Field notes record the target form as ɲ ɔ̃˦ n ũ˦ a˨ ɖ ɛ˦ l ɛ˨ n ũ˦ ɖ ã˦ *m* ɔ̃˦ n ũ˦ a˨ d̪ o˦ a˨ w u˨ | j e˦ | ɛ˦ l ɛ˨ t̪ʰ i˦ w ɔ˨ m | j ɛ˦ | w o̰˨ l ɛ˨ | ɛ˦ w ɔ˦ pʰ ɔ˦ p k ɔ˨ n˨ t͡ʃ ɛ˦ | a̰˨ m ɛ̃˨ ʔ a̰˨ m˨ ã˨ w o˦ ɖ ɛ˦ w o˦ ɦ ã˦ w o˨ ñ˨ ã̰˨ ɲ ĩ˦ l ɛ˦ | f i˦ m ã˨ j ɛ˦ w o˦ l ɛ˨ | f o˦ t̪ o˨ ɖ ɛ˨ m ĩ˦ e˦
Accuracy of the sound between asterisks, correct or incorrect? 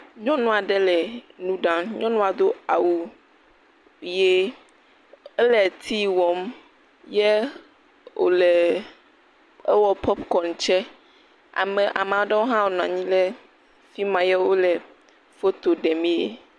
incorrect